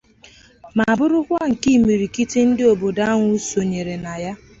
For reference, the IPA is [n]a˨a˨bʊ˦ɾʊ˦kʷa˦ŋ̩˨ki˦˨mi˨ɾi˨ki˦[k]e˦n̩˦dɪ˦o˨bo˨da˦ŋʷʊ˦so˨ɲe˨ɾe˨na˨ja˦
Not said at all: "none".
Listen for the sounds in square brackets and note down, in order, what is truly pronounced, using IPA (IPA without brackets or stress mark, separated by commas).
m, t